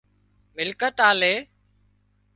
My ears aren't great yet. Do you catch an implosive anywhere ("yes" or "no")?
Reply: no